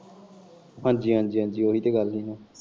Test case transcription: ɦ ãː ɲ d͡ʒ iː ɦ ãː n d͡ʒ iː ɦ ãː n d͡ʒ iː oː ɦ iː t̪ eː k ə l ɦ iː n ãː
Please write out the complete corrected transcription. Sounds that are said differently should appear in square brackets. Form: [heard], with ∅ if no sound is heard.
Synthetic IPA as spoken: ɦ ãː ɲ d͡ʒ iː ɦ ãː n d͡ʒ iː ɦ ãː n d͡ʒ iː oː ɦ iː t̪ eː [ɡ] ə l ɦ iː n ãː